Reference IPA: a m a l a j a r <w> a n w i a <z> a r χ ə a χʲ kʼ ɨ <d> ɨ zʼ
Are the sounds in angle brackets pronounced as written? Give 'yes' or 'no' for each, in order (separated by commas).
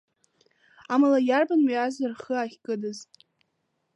no, yes, yes